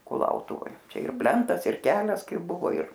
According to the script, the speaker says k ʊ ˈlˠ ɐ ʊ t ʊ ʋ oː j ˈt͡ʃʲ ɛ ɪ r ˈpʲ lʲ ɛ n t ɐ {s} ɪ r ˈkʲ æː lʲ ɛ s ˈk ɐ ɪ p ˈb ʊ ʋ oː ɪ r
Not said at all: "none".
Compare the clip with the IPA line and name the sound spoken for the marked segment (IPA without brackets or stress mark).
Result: s